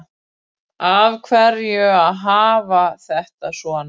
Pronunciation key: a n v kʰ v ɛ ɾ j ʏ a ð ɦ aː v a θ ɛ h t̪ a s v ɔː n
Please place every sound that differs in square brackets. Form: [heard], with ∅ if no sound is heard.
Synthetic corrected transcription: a [∅] v kʰ v ɛ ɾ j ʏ a ð ɦ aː v a θ ɛ h t̪ a s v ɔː n